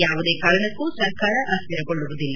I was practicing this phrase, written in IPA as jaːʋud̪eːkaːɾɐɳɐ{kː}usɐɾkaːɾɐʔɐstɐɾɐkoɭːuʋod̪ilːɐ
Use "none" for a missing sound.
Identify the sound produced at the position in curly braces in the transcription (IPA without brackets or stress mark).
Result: kː